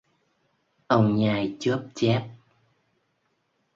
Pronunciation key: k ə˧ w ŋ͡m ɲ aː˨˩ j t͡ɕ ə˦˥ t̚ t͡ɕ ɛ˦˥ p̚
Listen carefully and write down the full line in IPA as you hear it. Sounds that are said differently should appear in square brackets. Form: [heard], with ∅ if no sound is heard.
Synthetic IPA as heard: [ʔ] ə˧ w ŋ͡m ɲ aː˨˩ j t͡ɕ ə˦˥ [p̚] t͡ɕ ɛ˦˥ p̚